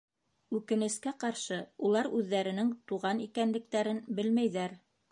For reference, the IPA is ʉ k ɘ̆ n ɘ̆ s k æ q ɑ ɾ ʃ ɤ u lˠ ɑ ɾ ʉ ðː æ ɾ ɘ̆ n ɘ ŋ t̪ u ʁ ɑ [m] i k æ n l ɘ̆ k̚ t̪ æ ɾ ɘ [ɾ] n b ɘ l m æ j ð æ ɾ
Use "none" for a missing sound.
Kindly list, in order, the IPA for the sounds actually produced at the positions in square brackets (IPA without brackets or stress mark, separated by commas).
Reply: n, none